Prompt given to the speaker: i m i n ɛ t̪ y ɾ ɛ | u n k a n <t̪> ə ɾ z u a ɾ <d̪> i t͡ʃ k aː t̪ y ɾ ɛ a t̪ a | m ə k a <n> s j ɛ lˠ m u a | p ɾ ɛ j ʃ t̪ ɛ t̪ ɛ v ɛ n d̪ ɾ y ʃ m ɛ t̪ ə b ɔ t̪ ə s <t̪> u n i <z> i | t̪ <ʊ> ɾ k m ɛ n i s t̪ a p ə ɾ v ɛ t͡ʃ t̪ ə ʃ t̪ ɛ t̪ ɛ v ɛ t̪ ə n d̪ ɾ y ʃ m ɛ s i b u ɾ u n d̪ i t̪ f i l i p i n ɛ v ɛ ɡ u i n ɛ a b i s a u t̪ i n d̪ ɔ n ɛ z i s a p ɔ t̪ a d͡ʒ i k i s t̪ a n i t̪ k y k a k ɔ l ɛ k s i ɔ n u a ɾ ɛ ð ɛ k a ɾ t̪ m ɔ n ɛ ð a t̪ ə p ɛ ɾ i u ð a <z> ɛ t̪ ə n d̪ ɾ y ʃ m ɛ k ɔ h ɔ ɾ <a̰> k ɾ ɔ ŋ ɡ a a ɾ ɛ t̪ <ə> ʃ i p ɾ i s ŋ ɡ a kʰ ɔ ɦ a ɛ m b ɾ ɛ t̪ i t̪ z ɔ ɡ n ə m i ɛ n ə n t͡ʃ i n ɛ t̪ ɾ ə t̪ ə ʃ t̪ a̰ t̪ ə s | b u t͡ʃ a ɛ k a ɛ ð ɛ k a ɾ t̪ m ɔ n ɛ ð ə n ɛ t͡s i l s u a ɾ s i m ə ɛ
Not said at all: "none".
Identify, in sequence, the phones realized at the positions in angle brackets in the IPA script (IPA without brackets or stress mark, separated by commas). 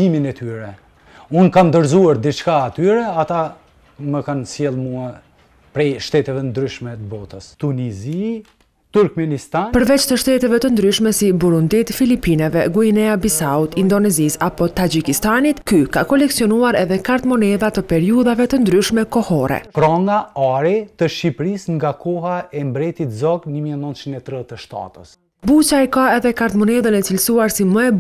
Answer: d̪, d̪, n, t̪, z, u, v, ɛ̰, ə